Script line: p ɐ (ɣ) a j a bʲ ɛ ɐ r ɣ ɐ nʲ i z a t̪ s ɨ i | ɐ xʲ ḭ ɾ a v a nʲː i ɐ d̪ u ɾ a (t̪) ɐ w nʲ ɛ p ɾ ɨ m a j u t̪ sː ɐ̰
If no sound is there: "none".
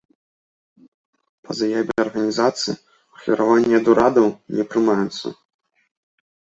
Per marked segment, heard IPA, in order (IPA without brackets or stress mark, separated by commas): z, d̪